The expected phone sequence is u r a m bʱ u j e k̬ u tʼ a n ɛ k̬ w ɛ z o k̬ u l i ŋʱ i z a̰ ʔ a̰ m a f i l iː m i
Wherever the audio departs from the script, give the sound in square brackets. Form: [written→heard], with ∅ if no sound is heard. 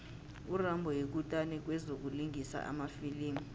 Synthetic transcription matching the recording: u r a m bʱ [u→ɔ] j e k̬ u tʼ a n ɛ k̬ w ɛ z o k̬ u l i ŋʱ i [z→s] a̰ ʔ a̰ m a f i l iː m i